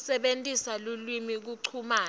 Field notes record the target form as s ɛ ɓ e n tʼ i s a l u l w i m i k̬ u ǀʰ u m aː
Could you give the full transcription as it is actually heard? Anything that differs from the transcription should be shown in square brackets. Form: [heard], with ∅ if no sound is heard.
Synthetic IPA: s ɛ ɓ e n tʼ i s a l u l w i m i k̬ u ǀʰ u m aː